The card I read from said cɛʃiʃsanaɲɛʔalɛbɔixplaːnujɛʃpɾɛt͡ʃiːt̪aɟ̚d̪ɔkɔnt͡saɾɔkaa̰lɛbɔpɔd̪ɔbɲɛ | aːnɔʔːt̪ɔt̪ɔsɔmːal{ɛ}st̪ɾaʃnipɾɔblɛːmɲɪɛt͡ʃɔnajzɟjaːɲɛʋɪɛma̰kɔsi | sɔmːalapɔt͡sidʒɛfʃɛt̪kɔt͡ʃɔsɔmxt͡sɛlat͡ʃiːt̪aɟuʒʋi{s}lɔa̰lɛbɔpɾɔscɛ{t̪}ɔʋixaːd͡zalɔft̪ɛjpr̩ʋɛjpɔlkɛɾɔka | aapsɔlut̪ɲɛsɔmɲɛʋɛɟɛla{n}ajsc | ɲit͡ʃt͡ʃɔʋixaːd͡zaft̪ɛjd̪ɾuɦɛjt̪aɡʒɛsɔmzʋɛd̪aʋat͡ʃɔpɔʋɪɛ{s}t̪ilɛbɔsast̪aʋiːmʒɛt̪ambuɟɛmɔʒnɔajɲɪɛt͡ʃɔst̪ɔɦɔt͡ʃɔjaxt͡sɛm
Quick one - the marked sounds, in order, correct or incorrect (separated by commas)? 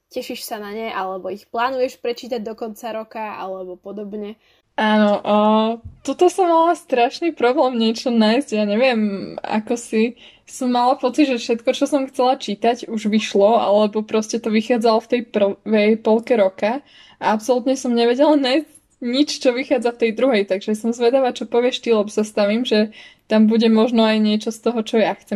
incorrect, incorrect, correct, correct, incorrect